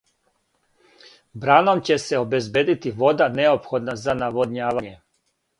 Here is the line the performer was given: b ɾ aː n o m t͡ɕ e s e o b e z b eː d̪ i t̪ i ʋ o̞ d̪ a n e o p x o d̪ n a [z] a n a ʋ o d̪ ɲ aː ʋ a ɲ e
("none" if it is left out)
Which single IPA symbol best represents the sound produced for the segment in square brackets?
z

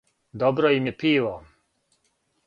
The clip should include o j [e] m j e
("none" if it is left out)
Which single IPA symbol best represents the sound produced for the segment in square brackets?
i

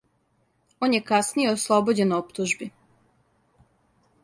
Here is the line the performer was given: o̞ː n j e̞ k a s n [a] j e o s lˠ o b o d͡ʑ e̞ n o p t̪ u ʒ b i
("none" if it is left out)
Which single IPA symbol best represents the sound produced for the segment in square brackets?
i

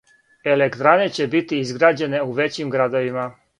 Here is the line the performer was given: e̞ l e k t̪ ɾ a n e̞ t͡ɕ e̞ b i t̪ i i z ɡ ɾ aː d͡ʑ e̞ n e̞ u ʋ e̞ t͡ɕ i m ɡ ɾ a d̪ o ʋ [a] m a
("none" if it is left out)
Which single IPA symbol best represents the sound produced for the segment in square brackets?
i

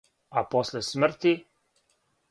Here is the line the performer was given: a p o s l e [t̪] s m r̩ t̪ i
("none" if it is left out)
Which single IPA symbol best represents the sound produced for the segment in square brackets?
none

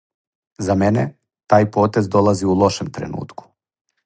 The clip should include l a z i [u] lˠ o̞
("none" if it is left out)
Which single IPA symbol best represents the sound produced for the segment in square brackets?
u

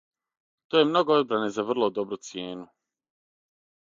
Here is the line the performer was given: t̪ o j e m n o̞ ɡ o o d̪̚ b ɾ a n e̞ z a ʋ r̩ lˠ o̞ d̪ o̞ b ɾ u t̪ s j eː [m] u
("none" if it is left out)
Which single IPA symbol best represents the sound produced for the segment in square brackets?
n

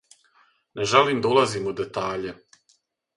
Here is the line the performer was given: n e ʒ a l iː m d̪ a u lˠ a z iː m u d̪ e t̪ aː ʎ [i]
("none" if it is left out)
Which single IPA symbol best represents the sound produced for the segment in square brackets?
e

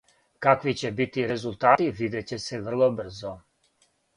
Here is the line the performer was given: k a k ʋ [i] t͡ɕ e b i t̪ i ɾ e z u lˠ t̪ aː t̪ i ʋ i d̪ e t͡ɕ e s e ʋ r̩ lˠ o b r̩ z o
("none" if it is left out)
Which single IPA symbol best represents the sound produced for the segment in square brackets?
i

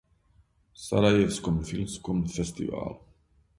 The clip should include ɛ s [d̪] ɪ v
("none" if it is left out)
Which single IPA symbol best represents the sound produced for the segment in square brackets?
t̪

